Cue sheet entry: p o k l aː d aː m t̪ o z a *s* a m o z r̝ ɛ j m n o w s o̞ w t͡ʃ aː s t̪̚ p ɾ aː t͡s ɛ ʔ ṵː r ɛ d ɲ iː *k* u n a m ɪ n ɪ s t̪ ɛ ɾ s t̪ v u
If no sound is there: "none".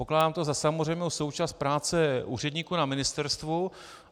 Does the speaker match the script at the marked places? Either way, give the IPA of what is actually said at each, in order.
s, k

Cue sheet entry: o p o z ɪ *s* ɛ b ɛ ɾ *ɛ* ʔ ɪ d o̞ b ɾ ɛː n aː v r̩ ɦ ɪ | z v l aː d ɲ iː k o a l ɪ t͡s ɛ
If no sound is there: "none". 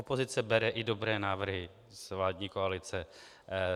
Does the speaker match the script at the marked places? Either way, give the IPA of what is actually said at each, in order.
t͡s, ɛ

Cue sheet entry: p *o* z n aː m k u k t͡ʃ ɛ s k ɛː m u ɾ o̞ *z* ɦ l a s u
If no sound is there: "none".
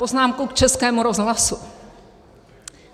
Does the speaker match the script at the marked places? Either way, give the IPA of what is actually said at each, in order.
o, z

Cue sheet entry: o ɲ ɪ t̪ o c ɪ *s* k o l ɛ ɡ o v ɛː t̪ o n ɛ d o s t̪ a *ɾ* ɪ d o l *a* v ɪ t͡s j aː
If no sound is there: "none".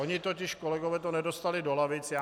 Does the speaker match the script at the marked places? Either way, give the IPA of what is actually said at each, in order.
ʃ, l, a

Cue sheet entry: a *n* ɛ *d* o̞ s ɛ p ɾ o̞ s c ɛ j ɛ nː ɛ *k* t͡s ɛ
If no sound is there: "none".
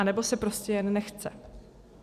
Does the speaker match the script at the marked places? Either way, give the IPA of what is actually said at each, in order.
n, b, x

